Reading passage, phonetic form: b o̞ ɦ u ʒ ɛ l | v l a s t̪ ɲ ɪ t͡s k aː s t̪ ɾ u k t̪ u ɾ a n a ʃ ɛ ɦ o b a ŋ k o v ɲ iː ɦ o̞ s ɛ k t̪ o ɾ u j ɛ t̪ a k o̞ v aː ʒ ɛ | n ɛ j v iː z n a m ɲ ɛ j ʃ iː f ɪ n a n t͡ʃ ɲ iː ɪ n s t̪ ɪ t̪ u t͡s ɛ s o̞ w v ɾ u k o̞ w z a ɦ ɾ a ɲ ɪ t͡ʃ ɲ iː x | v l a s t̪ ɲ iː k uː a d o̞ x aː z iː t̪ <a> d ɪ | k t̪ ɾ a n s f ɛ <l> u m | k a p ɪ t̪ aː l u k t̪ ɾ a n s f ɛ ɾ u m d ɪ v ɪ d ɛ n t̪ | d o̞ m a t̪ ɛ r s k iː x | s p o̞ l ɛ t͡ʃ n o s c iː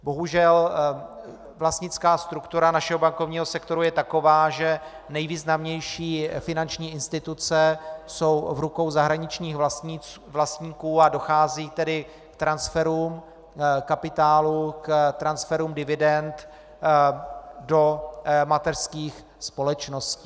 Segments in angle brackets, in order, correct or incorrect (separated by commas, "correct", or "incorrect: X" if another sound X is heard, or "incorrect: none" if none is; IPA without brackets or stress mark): incorrect: ɛ, incorrect: ɾ